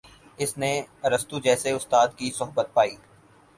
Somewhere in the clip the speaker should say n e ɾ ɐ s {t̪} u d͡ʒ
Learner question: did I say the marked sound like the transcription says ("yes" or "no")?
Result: yes